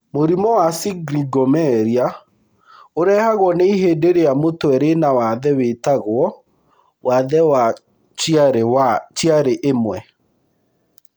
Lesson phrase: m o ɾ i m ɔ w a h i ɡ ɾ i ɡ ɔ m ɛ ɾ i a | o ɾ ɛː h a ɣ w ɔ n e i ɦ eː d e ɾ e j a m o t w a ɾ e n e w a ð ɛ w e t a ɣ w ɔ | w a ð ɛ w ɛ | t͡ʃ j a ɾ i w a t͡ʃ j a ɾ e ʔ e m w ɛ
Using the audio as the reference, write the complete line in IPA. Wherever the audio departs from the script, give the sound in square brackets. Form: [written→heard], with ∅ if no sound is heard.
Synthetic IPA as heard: m o ɾ i m ɔ w a [h→s] i ɡ ɾ i ɡ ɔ m ɛ ɾ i a | o ɾ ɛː h a ɣ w ɔ n e i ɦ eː d e ɾ e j a m o t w [a→ɛ] ɾ e n [e→a] w a ð ɛ w e t a ɣ w ɔ | w a ð ɛ w [ɛ→a] | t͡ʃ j a ɾ [i→e] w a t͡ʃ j a ɾ e ʔ e m w ɛ